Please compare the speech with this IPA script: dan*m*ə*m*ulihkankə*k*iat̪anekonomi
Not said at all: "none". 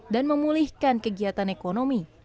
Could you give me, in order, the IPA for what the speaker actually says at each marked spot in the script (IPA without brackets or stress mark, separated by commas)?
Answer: m, m, ɡ